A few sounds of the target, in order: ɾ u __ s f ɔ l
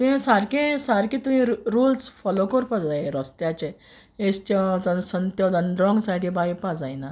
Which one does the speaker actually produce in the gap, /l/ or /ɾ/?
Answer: l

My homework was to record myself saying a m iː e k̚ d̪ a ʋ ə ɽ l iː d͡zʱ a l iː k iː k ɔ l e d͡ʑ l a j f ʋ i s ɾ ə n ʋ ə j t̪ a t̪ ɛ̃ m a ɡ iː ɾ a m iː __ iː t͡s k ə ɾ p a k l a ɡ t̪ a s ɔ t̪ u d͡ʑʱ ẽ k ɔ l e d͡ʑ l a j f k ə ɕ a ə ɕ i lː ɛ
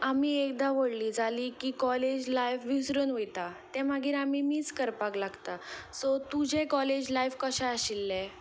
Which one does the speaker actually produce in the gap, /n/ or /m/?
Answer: m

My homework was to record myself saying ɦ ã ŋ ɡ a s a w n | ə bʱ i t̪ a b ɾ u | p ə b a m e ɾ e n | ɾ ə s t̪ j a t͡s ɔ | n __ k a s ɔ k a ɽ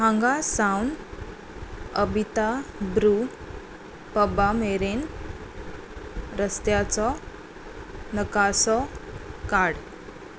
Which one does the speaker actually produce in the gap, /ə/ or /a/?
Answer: ə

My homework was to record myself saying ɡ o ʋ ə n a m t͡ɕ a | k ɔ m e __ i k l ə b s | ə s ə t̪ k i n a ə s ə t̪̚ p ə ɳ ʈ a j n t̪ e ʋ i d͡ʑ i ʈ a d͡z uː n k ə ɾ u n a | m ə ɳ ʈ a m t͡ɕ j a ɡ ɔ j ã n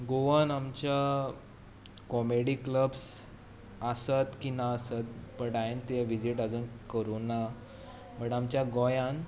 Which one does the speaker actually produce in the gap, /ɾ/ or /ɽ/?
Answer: ɽ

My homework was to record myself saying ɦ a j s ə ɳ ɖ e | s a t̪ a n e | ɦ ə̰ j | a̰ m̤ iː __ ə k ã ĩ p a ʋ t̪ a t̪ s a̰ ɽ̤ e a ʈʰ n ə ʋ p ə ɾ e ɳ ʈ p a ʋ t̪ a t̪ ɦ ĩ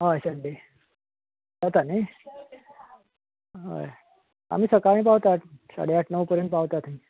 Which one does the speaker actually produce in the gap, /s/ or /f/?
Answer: s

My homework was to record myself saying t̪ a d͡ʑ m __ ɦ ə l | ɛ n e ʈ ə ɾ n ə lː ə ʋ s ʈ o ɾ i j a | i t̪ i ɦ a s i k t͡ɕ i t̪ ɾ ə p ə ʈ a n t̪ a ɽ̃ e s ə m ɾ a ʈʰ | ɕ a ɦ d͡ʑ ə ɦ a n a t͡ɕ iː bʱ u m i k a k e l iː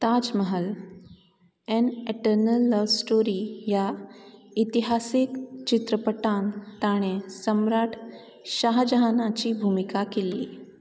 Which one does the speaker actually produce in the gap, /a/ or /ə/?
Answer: ə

